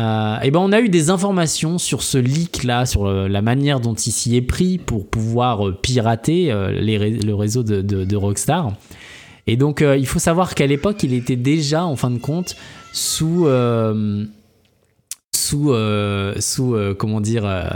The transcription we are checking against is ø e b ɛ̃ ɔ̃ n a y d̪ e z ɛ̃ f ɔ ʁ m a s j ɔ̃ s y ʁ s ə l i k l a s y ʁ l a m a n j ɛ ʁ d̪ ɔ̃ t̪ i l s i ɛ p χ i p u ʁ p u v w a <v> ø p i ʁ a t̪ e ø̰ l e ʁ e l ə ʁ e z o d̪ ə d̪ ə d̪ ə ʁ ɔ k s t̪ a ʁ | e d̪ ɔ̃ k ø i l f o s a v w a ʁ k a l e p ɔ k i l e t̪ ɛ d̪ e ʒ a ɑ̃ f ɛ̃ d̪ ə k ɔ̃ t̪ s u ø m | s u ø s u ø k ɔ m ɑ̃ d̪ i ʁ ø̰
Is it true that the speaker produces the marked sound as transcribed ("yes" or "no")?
no